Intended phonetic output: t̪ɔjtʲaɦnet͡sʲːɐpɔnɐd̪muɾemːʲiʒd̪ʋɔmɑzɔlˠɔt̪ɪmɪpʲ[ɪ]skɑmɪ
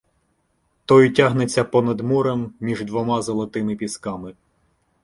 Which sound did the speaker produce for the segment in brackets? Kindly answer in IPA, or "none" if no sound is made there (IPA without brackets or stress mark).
i